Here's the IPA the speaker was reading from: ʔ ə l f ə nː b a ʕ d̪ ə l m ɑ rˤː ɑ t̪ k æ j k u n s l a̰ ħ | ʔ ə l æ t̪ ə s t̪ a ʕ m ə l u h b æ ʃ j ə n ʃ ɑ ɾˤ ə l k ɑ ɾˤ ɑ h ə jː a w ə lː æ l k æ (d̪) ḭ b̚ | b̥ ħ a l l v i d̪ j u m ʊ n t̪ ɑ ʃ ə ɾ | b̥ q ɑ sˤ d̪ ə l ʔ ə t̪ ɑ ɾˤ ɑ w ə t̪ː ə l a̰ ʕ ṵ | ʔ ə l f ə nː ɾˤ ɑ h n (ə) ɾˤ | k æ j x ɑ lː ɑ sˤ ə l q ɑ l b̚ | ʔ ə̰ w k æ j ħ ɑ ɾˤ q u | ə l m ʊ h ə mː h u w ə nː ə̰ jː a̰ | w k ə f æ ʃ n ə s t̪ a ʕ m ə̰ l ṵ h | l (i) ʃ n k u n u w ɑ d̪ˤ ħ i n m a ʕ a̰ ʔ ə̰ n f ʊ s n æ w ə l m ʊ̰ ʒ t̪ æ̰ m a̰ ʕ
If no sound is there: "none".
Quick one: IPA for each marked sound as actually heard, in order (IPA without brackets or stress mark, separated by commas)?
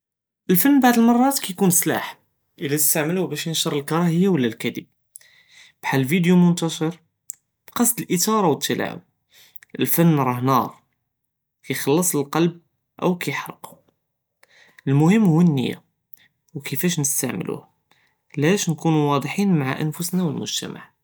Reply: d̪, ɑ, æ